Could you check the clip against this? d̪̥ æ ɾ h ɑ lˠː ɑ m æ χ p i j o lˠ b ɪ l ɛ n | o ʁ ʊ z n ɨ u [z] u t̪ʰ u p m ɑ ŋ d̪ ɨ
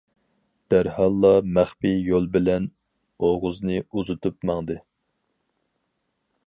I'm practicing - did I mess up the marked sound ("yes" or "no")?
no